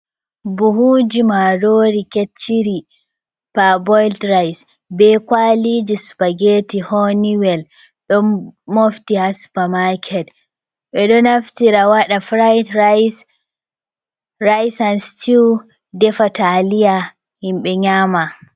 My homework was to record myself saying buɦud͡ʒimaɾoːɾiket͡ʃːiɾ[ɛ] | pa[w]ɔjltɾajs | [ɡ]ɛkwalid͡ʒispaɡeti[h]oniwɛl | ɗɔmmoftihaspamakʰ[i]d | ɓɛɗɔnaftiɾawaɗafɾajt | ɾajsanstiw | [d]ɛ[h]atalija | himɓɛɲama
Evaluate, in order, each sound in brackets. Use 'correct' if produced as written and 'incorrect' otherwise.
incorrect, incorrect, incorrect, correct, incorrect, correct, incorrect

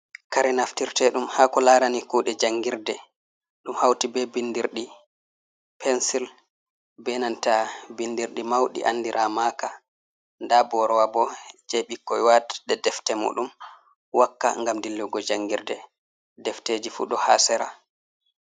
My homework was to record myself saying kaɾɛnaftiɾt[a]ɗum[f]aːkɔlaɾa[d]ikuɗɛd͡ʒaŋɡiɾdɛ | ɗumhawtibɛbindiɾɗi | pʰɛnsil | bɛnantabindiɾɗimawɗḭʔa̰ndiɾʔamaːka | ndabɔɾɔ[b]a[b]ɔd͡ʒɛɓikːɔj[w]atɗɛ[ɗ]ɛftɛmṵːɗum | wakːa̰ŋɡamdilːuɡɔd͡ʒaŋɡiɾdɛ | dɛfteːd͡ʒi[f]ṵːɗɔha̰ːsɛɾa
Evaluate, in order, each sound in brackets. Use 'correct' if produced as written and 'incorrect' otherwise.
incorrect, incorrect, incorrect, incorrect, correct, correct, incorrect, correct

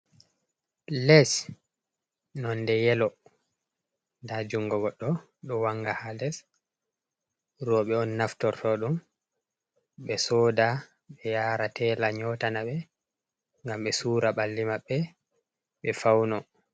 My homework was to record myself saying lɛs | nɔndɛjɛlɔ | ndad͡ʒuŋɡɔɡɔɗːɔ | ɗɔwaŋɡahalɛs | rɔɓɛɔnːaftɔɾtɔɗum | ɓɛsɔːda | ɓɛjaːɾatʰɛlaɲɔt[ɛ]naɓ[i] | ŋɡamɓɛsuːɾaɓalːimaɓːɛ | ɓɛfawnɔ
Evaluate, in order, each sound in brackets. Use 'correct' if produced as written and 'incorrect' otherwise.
incorrect, incorrect

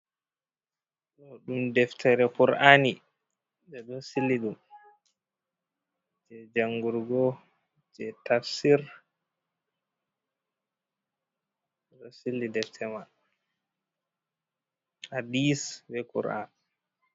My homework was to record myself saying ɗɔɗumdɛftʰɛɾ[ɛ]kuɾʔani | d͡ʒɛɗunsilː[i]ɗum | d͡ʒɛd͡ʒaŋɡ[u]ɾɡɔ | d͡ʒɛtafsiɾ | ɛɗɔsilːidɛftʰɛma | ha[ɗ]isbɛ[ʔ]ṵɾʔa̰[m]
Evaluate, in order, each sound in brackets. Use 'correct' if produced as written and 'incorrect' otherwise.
correct, correct, correct, incorrect, incorrect, incorrect

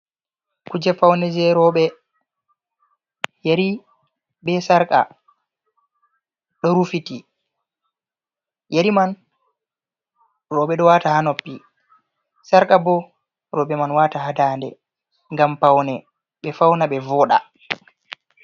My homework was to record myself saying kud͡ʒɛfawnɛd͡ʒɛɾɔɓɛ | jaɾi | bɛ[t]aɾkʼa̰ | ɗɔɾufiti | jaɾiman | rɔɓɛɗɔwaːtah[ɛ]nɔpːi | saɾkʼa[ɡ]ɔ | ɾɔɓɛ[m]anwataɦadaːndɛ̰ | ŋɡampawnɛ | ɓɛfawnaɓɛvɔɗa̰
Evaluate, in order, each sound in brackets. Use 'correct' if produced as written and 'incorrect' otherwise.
incorrect, incorrect, incorrect, correct

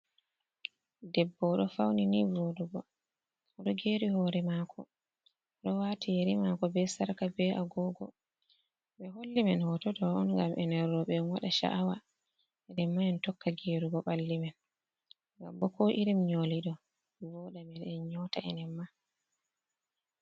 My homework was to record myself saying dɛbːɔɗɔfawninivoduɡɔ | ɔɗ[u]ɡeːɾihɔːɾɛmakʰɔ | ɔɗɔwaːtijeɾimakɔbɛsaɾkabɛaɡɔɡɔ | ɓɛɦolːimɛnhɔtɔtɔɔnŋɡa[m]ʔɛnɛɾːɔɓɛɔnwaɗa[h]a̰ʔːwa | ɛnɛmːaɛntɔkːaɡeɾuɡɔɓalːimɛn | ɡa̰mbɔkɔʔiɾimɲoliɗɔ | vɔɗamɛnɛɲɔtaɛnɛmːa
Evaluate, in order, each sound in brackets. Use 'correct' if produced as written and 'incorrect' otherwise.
incorrect, correct, incorrect

